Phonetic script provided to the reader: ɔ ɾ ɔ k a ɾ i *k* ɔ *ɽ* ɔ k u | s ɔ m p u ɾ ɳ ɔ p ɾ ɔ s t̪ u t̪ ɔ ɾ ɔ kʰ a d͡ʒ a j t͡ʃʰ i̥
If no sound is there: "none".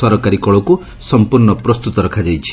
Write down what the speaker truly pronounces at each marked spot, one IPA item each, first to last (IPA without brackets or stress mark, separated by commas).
k, ɭ